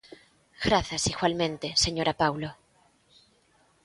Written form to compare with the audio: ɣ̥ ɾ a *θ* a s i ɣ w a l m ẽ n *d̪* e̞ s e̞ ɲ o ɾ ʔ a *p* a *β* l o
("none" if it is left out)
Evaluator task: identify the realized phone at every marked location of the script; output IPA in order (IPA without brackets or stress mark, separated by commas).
θ, t̪, p, w